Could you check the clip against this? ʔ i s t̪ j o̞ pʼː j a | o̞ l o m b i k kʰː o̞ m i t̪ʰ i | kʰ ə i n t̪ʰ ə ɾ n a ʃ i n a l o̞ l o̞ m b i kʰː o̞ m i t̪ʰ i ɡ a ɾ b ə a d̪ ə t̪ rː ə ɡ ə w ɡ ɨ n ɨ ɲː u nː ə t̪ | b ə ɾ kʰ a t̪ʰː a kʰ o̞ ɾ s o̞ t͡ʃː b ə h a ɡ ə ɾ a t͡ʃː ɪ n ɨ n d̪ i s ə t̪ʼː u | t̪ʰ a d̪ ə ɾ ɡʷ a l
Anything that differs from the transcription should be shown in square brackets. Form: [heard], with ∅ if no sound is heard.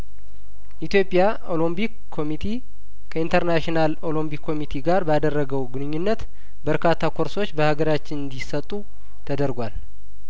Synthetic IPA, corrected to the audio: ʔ i [∅] t̪ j o̞ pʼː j a | o̞ l o m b i k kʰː o̞ m i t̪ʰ i | kʰ ə i n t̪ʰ ə ɾ n a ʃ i n a l o̞ l o̞ m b i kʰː o̞ m i t̪ʰ i ɡ a ɾ b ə a d̪ ə [∅] rː ə ɡ ə w ɡ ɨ n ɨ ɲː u nː ə t̪ | b ə ɾ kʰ a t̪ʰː a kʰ o̞ ɾ s o̞ t͡ʃː b ə h a ɡ ə ɾ a t͡ʃː ɪ n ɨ n d̪ i s ə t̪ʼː u | t̪ʰ [ə] d̪ ə ɾ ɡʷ a l